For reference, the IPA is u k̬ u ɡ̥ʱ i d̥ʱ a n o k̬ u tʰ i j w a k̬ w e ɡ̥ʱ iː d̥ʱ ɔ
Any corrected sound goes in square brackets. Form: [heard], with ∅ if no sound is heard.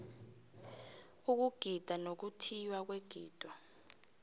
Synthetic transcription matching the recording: u k̬ u ɡ̥ʱ i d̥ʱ a n o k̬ u tʰ i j w a k̬ w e ɡ̥ʱ iː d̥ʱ ɔ

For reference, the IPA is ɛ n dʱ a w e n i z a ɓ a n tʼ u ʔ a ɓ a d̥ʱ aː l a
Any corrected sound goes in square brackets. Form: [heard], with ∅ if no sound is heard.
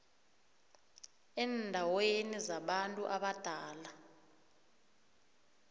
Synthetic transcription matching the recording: ɛ n dʱ a w e n i z a ɓ a n tʼ u ʔ a ɓ a d̥ʱ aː l a

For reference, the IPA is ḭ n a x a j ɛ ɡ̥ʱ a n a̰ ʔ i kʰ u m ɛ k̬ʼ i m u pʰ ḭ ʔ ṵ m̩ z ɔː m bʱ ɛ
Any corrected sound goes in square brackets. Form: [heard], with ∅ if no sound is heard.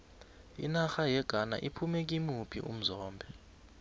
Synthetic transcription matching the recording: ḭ n a x a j ɛ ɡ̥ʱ a n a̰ ʔ i [pʰ] u m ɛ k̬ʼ i m u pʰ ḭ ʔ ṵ m̩ z ɔː m bʱ ɛ

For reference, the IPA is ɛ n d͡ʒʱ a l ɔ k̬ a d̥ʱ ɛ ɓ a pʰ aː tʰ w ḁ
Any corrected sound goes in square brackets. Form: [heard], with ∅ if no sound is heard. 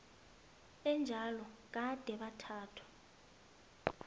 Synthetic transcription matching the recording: ɛ n d͡ʒʱ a l ɔ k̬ a d̥ʱ ɛ ɓ a [tʰ] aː tʰ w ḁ

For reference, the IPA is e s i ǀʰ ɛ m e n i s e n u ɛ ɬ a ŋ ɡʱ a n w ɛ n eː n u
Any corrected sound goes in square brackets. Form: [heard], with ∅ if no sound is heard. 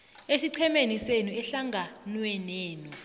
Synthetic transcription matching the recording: e s i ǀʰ ɛ m e n i s e n u ɛ ɬ a ŋ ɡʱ a n w ɛ n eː n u

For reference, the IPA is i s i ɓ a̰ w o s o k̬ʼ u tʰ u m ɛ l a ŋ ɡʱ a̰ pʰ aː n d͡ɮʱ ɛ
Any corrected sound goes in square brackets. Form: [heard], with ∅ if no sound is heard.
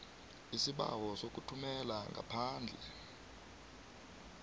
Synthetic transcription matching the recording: i s i ɓ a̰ w [ɔ] s o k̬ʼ u tʰ u m ɛ l a ŋ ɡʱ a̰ pʰ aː n d͡ɮʱ ɛ

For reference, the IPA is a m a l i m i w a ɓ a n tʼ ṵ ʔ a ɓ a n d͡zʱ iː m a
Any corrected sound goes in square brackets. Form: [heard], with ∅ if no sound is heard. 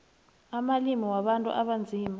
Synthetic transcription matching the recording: a m a l i m i w a ɓ a n tʼ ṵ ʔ a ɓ a n d͡zʱ iː m a

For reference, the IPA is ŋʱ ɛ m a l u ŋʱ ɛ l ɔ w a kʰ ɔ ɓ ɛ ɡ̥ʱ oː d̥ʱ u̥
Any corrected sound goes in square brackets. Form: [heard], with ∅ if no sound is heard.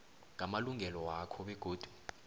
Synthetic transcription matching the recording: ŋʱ [a] m a l u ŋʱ ɛ l ɔ w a kʰ ɔ ɓ ɛ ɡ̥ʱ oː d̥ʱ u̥

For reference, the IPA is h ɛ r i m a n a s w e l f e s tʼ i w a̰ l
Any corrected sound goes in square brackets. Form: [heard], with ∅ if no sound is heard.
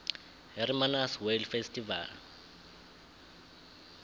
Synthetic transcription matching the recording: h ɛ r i m a n a s w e l f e s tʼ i [v] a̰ l

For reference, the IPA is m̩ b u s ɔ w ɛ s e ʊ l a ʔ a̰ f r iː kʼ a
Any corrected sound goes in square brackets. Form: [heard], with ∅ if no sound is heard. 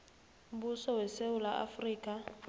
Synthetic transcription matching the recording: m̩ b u s ɔ w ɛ s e ʊ l a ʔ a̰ f r iː kʼ a

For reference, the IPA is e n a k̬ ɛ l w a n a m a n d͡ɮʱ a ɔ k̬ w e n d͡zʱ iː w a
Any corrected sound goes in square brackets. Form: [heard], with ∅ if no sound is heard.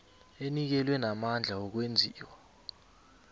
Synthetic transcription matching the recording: e n [i] k̬ ɛ l w [ɛ] n a m a n d͡ɮʱ a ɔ k̬ w e n d͡zʱ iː w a

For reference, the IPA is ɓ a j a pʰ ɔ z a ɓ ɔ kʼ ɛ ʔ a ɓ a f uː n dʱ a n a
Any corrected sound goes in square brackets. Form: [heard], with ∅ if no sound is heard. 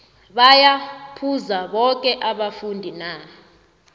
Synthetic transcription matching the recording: ɓ a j a pʰ [u] z a ɓ ɔ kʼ ɛ ʔ a ɓ a f [u] n dʱ [i] n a

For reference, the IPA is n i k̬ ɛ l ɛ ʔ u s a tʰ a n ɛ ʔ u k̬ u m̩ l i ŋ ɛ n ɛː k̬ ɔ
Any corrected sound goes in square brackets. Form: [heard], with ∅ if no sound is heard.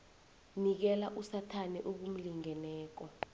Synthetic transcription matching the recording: n i k̬ ɛ l [a] ʔ u s a tʰ a n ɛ ʔ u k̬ u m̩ l i ŋ ɛ n ɛː k̬ ɔ

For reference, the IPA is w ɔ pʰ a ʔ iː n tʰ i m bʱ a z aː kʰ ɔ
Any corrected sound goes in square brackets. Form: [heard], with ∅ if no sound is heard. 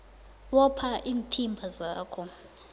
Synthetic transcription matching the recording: w ɔ pʰ a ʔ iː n tʰ i m bʱ a z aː kʰ ɔ

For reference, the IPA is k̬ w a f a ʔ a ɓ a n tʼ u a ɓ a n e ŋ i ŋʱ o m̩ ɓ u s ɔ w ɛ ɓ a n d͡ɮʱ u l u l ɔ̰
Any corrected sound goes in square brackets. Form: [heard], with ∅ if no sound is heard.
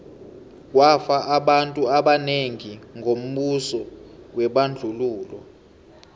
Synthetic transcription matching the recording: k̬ w a f a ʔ a ɓ a n tʼ u a ɓ a n e ŋ i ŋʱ o m̩ ɓ u s ɔ w ɛ ɓ a n d͡ɮʱ u l [uː] l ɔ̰

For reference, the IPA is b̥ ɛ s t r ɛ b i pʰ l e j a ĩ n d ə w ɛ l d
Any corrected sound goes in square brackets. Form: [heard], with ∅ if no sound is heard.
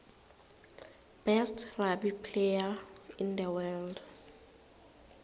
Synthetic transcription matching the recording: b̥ ɛ s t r [a] b i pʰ l e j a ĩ n d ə w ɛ l d

